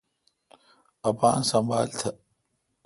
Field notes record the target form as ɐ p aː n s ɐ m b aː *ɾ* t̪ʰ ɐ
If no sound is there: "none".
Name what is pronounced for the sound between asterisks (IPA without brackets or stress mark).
l